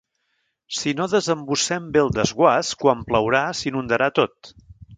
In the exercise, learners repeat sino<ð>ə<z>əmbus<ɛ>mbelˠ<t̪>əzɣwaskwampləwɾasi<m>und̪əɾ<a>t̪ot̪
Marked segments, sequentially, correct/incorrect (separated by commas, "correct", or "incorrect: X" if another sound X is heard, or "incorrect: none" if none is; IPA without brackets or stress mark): correct, correct, correct, incorrect: d̪, incorrect: n, correct